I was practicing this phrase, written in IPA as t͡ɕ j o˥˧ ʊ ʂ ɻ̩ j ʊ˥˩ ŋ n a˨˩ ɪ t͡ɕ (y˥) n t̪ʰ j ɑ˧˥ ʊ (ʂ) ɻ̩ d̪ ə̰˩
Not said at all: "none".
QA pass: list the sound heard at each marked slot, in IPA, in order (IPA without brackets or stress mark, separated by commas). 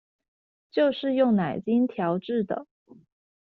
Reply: i˥, ʈ͡ʂ